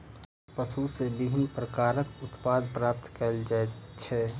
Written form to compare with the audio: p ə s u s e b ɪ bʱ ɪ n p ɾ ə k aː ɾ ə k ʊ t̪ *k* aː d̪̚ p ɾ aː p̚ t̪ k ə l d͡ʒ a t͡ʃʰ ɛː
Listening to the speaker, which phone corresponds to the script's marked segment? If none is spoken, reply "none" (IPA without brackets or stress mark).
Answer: p